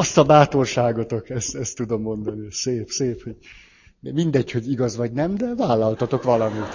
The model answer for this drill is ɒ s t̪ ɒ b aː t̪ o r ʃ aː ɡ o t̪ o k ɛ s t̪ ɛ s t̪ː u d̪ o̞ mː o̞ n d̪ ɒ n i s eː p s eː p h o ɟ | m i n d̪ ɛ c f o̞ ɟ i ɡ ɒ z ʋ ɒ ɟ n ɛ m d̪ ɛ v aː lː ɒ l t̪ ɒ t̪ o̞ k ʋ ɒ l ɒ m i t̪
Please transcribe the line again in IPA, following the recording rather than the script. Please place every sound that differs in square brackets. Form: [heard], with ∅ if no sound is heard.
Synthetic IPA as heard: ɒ s t̪ ɒ b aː t̪ o r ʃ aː ɡ o t̪ o k ɛ s t̪ ɛ s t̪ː u d̪ o̞ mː o̞ n d̪ ɒ n i s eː p s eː p h o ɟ | m i n d̪ ɛ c [h] o̞ ɟ i ɡ ɒ z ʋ ɒ ɟ n ɛ m d̪ ɛ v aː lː ɒ l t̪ ɒ t̪ o̞ k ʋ ɒ l ɒ m i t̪